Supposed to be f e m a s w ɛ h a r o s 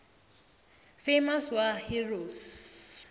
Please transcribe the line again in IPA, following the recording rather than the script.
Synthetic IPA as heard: f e m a s w a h i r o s